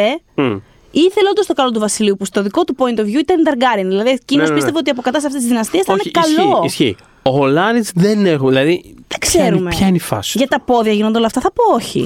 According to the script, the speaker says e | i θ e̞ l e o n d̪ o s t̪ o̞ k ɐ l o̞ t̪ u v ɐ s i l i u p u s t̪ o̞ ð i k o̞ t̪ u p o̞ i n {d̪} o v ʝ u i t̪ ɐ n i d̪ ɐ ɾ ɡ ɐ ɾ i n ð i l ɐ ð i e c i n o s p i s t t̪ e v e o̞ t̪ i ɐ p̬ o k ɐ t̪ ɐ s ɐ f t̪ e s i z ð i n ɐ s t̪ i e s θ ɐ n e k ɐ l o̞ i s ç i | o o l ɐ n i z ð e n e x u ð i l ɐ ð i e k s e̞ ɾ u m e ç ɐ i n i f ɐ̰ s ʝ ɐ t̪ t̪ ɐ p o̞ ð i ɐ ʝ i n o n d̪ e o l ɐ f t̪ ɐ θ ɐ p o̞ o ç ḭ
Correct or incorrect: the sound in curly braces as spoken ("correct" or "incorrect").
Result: incorrect